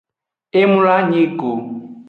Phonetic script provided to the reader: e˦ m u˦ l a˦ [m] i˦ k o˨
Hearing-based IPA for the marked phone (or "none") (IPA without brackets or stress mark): ɲ